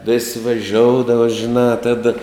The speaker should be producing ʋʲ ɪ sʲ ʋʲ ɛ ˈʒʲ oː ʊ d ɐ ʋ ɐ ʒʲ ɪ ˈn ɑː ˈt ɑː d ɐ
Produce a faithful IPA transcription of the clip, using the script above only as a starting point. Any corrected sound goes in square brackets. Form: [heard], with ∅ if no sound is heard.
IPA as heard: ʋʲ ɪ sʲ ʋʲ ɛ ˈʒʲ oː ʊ d ɐ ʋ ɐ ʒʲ ɪ ˈn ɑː ˈt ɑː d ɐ